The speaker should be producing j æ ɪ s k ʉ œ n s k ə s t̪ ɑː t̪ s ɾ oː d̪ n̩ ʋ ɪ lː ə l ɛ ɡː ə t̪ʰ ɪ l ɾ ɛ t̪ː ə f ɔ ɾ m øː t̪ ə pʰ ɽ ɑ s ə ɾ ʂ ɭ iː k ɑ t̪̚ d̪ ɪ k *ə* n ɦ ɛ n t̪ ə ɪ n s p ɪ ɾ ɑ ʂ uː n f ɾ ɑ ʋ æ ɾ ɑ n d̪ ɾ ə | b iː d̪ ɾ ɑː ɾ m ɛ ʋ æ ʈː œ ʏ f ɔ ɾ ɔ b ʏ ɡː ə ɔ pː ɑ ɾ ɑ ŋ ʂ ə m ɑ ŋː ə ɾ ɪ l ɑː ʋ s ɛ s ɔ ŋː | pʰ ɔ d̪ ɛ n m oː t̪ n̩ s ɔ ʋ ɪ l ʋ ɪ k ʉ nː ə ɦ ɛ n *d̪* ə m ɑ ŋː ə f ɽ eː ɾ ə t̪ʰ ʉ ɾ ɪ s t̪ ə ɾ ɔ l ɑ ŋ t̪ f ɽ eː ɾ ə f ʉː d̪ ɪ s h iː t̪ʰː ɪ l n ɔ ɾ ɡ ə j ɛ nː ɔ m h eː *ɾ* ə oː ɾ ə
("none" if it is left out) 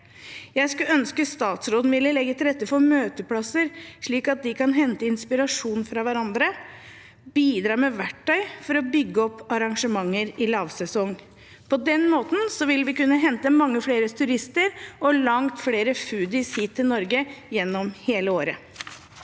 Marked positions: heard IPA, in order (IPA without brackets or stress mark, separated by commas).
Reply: ɑ, t̪, l